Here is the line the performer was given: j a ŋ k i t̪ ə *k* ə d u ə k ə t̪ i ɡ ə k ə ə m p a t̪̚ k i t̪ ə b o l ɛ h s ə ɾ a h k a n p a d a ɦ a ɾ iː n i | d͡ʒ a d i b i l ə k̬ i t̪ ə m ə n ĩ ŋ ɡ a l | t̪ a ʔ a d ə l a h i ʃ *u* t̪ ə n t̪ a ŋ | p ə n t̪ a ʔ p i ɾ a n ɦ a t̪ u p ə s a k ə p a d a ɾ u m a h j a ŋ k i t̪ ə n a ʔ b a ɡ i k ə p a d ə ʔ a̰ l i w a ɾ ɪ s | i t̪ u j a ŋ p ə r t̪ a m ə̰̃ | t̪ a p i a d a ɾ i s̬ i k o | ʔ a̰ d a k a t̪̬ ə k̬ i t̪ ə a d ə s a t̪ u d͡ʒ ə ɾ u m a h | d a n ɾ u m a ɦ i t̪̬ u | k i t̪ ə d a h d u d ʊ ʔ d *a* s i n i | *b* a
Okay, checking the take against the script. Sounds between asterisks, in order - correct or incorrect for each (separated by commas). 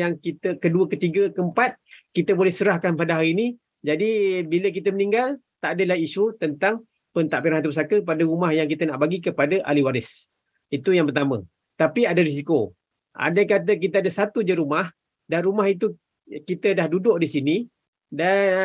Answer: correct, correct, incorrect, incorrect